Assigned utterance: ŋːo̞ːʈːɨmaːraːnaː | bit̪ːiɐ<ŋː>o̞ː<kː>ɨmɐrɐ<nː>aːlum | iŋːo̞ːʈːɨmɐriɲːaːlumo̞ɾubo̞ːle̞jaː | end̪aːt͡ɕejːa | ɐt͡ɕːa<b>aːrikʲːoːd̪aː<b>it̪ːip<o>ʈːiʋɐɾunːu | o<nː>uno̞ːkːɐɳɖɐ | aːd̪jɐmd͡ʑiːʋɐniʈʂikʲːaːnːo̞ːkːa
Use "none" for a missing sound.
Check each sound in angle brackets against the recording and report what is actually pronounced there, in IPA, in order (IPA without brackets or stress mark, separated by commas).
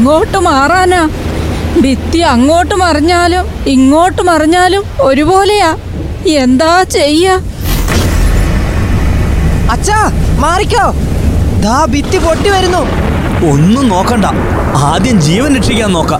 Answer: ŋː, ʈː, ɲː, m, b, o, nː